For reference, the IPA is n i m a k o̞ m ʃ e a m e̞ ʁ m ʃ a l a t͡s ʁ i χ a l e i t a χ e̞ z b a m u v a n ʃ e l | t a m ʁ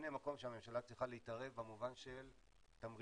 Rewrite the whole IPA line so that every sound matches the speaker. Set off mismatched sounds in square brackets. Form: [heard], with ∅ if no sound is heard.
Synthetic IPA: n [e] m a k o̞ m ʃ e a m e̞ [∅] m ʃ a l a t͡s ʁ i χ a l e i t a [ʁ] e̞ [v] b a m u v a n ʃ e l | t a m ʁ

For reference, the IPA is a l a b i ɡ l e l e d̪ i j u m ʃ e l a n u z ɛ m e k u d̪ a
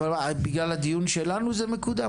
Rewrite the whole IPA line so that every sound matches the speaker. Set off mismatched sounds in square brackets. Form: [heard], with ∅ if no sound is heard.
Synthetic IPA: a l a b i ɡ l [a] l [a] d̪ i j u [n] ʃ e l a n u z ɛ m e k u d̪ a

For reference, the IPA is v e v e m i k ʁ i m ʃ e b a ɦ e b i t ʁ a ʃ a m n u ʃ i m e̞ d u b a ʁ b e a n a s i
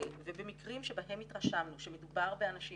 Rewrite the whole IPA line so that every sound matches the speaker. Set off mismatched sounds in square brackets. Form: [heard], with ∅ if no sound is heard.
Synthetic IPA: v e [b] e m i k ʁ i m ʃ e b a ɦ e [m] i t ʁ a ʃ a m n u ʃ [e] m e̞ d u b a ʁ b e a n a [ʃ] i

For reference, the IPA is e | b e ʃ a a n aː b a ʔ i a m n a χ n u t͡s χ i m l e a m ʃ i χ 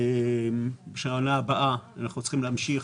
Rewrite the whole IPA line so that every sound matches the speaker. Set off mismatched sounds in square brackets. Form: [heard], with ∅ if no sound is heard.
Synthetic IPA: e | b e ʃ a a n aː b a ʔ [a] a [∅] n a χ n u t͡s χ i m l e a m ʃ i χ

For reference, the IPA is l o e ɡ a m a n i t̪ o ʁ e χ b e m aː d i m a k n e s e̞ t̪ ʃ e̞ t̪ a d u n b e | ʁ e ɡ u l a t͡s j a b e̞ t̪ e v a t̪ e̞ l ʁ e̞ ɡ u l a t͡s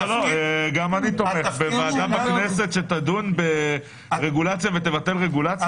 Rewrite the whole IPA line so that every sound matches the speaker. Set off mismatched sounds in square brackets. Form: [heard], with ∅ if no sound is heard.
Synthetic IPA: l o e ɡ a m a n i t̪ o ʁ e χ b e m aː d [a] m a k n e s e̞ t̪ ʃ e̞ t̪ a d u n b e | ʁ e ɡ u l a t͡s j a [v] e̞ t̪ e v a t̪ e̞ l ʁ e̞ ɡ u l a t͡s

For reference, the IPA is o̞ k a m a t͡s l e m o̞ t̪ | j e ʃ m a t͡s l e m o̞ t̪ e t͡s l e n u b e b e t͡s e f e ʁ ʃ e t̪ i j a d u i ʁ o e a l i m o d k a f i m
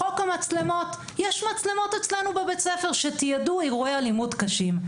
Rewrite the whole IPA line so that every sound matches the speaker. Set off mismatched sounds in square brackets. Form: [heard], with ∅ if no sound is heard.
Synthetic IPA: o̞ k a m a t͡s l e m o̞ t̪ | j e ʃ m a t͡s l e m o̞ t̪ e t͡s l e n u b e b e t͡s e f e ʁ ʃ e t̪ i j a d u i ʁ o e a l i m [u] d k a [ʃ] i m

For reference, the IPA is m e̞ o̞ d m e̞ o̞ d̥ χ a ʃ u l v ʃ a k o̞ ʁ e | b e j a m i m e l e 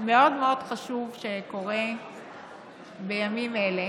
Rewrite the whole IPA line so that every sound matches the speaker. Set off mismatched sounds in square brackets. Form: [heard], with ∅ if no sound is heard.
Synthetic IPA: m e̞ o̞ d m e̞ o̞ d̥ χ a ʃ u [∅] v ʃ [e] k o̞ ʁ e | b e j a m i m e l e

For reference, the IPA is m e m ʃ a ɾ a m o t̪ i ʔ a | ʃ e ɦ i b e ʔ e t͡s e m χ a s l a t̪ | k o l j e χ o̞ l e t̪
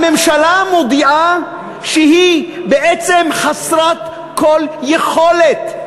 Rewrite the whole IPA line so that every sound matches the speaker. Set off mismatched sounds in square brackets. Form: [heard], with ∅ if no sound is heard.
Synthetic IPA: m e m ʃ a [l] a m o [d̪] i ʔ a | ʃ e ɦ i b e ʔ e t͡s e m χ a s [ɾ] a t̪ | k o l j e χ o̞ l e t̪

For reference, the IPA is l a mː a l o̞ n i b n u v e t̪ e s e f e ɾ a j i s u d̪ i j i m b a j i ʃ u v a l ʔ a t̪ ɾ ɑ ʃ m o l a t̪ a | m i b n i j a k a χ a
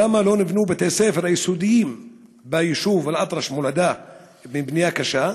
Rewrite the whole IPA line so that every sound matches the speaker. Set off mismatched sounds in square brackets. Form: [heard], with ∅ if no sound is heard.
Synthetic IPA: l a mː a l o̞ n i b n u [b] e t̪ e s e f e ɾ a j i s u d̪ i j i m b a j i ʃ u v a l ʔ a t̪ ɾ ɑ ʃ m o l a [d̪] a | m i b n i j a k a [ʃ] a

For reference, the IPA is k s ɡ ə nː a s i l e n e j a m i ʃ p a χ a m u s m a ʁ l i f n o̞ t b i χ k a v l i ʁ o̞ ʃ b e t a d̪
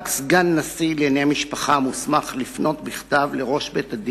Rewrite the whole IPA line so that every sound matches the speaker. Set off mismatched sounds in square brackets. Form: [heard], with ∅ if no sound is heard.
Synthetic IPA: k s ɡ [a] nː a s i l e n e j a m i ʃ p a χ a m u s m a [χ] l i f n o̞ t b i χ [t] a v l [e] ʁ o̞ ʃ b e t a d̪

